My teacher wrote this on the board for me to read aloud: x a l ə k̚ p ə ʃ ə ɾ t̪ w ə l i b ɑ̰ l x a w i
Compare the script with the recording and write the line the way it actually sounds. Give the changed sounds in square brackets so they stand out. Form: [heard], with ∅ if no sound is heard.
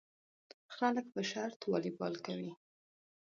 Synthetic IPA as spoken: x a l ə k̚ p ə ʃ [a] ɾ t̪ w [ɑ] l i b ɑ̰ l [k] a w i